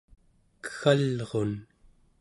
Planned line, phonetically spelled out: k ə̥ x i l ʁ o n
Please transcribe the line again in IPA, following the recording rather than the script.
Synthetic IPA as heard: k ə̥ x a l ʁ o n